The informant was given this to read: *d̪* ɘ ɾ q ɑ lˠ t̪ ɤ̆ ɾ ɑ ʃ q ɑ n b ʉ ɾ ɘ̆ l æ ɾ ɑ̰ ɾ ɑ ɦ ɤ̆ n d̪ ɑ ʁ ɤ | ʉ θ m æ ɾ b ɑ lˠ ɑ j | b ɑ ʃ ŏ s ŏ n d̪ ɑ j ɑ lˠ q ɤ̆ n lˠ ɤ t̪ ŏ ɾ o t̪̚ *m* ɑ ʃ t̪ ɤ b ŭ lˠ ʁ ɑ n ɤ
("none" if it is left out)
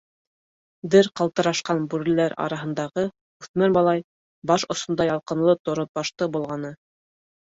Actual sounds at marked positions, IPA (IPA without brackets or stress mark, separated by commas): d̪, b